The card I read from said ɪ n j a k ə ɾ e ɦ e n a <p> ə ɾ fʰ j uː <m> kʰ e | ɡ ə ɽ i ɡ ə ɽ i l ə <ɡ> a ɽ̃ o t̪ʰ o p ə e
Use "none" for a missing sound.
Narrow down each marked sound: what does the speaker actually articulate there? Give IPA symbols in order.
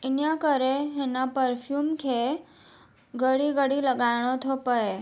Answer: p, m, ɡ

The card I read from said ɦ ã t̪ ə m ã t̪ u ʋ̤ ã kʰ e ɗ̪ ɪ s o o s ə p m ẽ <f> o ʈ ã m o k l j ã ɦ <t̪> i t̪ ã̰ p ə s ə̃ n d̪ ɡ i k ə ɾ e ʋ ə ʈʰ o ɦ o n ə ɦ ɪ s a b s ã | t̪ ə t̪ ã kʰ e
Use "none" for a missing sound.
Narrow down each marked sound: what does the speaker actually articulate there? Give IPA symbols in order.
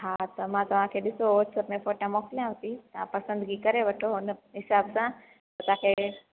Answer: f, t̪

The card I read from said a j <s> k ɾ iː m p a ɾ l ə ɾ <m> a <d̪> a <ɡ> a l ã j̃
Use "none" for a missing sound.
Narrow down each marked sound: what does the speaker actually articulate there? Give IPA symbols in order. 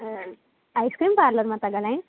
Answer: s, m, t̪, ɡ

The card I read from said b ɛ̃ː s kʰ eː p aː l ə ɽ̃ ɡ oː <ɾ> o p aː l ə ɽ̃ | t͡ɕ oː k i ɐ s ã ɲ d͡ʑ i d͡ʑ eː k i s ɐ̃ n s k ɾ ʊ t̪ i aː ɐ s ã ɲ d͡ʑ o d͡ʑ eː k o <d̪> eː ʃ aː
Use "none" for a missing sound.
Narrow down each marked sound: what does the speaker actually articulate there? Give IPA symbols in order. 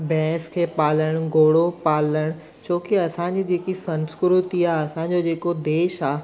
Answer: ɽ, d̪

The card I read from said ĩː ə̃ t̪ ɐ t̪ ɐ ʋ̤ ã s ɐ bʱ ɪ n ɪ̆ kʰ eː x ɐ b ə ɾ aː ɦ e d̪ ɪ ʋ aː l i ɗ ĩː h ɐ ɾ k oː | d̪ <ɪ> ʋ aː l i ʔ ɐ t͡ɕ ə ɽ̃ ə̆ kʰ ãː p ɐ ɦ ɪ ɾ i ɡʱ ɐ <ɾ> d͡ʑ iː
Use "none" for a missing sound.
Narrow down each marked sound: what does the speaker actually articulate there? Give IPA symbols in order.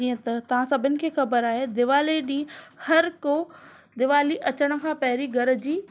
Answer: ɪ, ɾ

